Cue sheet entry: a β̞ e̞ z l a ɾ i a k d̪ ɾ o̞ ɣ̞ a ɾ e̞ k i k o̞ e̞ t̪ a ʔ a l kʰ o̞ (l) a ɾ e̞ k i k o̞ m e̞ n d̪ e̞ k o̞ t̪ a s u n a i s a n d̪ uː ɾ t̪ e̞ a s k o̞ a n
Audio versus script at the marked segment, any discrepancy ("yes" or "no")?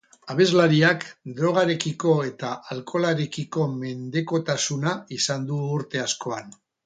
no